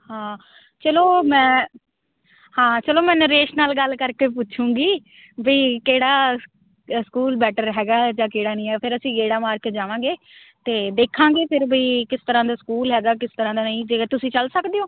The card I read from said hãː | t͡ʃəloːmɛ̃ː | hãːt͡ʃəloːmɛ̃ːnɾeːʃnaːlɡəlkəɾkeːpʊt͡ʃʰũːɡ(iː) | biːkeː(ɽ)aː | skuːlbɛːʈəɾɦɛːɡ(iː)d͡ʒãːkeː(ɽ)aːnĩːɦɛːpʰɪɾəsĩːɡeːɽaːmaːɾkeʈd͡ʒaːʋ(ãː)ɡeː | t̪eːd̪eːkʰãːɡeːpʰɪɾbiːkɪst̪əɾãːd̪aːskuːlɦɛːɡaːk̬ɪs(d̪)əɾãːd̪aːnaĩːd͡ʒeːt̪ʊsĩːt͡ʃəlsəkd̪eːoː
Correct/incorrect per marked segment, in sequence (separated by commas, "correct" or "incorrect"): correct, correct, incorrect, correct, correct, incorrect